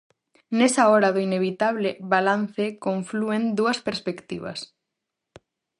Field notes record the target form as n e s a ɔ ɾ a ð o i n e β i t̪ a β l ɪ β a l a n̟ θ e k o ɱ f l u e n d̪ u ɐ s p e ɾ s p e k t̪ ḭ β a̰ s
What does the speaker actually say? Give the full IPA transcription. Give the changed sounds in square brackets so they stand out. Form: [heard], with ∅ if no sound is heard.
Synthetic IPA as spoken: n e s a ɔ ɾ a ð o i n e β i t̪ a β l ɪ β a l a n̟ θ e k o ɱ f l u e n d̪ u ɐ s p e ɾ s p e k t̪ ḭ β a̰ s